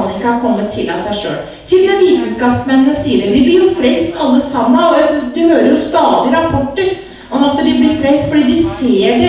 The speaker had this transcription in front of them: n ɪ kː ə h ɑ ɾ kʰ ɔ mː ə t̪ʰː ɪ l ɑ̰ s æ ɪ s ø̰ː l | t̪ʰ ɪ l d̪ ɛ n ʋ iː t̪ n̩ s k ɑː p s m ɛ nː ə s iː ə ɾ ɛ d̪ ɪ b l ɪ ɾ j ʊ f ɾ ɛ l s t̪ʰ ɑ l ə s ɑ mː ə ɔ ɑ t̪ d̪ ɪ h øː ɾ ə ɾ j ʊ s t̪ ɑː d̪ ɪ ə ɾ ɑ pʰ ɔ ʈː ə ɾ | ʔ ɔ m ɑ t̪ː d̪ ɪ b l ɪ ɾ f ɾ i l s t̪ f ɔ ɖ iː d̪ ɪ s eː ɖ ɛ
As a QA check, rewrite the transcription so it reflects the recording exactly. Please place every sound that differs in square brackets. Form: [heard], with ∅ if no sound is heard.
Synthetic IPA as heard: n ɪ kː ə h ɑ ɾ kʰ ɔ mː ə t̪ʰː ɪ l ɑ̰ s æ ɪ [ʂ] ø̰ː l | t̪ʰ ɪ l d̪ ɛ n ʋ iː t̪ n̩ s k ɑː p s m ɛ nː ə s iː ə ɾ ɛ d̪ ɪ b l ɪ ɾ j ʊ f ɾ ɛ l s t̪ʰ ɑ [lː] ə s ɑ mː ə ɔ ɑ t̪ d̪ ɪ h øː ɾ ə ɾ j ʊ s t̪ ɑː d̪ ɪ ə ɾ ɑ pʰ ɔ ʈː ə ɾ | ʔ ɔ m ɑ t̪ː d̪ ɪ b l ɪ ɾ f ɾ [ɛ] l s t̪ f ɔ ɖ iː d̪ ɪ s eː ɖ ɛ